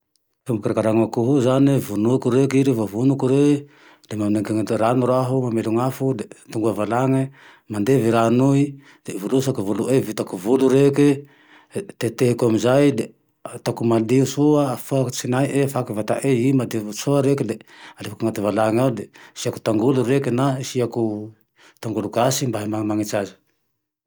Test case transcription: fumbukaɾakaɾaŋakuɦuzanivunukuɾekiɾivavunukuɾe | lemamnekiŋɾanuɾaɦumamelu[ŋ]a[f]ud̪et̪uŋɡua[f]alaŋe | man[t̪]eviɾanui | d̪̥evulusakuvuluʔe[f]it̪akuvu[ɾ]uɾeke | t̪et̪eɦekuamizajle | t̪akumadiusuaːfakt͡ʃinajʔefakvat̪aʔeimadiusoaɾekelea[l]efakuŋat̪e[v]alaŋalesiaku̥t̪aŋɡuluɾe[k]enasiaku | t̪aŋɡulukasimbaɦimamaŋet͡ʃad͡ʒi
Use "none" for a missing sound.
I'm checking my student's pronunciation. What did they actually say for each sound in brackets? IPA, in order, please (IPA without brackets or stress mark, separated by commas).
ŋ, f, v, d̪, v, l, l, v, k